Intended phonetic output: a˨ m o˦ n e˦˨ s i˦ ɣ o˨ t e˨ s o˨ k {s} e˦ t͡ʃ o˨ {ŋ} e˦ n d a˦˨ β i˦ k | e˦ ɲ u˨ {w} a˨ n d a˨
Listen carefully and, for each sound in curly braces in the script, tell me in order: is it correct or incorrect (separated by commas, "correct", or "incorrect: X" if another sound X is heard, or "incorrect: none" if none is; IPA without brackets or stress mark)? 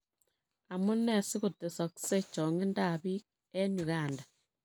correct, correct, incorrect: ɣ